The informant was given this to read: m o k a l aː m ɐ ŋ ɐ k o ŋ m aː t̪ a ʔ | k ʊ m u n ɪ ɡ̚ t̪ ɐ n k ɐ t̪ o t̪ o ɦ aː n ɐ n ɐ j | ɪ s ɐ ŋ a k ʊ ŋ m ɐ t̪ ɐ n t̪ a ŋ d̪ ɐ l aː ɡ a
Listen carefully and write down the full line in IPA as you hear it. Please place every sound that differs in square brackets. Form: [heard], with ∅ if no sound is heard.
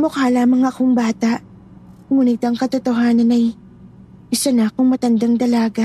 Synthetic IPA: m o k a l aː m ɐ ŋ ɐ k o ŋ [b] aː t̪ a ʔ | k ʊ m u n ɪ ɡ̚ t̪ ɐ [ŋ] k ɐ t̪ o t̪ o ɦ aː n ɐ n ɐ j | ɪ s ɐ [n] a k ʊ ŋ m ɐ t̪ ɐ n [d̪] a ŋ d̪ ɐ l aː ɡ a